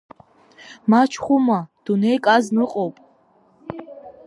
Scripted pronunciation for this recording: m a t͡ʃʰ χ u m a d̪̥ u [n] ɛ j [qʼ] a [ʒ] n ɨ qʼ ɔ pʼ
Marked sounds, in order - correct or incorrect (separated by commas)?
correct, incorrect, incorrect